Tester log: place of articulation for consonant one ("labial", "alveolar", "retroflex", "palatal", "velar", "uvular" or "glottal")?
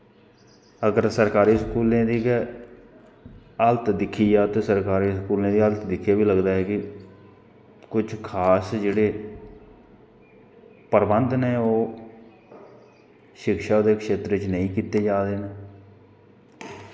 velar